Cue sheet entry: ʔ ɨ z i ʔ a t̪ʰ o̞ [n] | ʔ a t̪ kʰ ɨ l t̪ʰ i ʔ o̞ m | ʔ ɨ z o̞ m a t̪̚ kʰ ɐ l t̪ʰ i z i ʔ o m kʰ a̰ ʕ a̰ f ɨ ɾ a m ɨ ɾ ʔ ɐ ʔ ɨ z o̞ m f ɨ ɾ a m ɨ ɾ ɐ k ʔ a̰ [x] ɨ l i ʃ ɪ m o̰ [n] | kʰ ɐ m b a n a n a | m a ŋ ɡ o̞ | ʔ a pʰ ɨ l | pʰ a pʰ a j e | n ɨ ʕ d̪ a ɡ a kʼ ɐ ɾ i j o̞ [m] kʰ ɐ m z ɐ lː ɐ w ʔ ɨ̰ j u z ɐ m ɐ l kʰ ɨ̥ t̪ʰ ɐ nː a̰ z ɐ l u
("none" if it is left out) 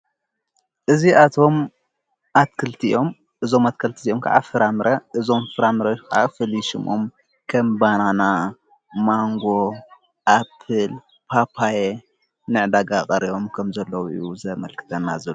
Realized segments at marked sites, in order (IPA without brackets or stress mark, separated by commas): m, f, m, m